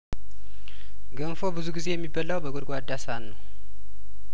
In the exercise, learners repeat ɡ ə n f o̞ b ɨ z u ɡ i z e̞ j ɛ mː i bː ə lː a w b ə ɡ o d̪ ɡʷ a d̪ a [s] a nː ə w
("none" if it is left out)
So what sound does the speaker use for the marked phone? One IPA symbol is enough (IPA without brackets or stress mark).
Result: s